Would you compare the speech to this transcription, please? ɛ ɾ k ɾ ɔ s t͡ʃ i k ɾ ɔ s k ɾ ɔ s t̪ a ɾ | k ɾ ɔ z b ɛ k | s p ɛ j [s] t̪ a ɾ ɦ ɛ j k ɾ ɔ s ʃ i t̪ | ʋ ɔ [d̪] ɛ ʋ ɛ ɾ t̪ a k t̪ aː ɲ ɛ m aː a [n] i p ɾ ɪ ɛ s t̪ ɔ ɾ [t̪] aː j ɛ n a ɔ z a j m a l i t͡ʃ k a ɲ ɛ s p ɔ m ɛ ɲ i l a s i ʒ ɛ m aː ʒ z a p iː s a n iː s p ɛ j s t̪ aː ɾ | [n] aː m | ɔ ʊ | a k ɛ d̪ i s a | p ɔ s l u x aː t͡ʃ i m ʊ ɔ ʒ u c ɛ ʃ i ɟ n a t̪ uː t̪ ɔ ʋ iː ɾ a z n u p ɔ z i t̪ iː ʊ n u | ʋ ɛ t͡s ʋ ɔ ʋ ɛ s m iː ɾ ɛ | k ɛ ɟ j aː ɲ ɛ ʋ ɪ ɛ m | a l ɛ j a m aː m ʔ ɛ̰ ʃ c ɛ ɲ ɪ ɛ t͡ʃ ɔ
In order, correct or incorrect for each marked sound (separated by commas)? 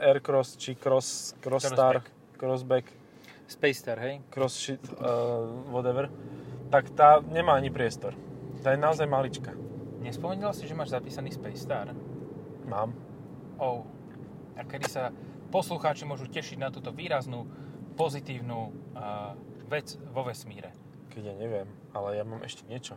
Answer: correct, correct, incorrect, correct, incorrect